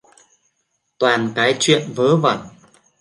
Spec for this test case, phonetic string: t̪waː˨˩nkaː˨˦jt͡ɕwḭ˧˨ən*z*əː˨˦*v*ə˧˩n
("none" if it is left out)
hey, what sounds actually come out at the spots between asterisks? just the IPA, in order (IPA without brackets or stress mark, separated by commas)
v, v